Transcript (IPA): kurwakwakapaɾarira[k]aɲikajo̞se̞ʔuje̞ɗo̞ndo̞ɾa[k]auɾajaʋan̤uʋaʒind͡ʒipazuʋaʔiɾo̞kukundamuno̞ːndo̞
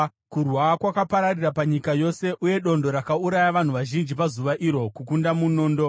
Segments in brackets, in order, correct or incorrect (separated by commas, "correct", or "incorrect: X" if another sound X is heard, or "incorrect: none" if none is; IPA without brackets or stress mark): incorrect: p, correct